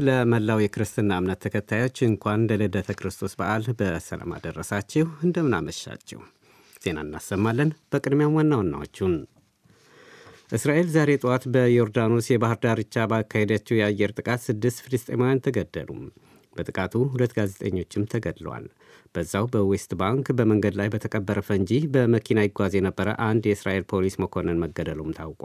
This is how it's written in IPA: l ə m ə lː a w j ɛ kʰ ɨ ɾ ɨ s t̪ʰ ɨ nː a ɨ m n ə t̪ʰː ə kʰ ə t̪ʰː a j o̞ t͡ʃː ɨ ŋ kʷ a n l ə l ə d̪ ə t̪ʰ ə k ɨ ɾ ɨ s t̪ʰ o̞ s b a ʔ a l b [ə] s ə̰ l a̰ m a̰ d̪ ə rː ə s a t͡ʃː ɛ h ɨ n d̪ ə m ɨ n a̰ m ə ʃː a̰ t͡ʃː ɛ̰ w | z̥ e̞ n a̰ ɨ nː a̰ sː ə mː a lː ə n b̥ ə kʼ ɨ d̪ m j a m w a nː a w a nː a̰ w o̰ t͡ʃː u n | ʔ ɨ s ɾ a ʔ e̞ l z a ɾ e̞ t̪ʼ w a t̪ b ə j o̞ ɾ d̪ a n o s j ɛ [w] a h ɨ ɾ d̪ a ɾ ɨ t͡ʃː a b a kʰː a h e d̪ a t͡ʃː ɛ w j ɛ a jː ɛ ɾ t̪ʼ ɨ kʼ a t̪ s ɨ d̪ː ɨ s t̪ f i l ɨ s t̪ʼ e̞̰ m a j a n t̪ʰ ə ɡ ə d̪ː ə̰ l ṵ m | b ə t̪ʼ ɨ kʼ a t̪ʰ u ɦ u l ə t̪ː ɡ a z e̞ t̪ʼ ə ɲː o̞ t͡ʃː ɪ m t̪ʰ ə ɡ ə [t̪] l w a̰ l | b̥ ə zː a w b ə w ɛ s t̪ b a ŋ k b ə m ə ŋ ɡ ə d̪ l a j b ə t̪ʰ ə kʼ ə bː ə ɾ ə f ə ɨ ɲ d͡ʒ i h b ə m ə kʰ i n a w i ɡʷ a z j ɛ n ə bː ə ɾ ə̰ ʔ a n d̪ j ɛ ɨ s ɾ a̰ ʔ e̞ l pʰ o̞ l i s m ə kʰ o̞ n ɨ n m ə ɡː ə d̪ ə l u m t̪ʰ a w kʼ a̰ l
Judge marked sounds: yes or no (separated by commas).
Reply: yes, no, no